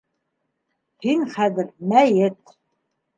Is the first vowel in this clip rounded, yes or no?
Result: no